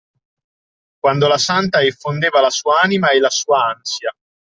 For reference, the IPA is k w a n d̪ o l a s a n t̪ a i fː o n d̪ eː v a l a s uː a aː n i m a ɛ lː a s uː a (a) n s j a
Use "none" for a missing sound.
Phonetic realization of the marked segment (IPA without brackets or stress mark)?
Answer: a